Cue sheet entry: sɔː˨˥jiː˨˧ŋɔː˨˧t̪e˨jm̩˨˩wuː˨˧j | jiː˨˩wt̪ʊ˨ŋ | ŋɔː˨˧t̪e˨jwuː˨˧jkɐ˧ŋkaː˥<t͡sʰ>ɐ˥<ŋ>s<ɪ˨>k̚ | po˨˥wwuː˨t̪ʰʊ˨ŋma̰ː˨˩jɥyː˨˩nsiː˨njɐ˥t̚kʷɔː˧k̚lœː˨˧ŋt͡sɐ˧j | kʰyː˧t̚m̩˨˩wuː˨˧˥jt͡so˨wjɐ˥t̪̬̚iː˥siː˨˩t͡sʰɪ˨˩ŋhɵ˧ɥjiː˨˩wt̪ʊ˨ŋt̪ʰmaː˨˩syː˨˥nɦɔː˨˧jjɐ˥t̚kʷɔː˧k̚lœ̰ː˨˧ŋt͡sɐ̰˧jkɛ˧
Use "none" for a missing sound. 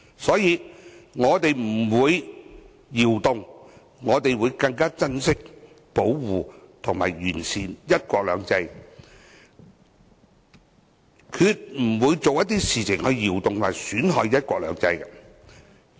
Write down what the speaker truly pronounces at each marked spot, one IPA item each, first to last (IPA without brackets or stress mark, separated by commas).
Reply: t͡s, n, ɪ˥